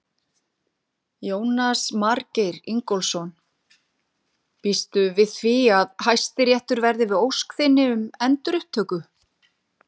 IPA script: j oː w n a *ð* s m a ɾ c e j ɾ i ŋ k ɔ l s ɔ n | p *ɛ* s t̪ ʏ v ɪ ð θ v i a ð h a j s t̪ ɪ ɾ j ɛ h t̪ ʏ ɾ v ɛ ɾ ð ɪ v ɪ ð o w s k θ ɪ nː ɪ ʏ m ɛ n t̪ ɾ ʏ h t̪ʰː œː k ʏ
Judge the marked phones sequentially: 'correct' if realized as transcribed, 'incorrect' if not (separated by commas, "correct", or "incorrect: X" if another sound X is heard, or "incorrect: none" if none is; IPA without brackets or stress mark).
incorrect: none, incorrect: i